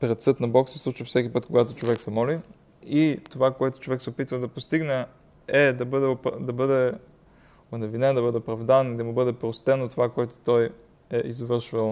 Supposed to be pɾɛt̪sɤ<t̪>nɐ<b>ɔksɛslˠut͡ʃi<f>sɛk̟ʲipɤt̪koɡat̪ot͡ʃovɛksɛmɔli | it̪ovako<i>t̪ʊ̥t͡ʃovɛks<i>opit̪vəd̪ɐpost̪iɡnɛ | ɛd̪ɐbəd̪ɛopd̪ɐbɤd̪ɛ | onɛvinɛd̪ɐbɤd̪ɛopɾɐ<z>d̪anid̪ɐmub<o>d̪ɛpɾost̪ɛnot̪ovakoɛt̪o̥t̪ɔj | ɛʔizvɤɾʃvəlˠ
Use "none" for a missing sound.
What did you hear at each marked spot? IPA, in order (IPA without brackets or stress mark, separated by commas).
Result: t̪, b, f, ɛ, ɛ, v, ɤ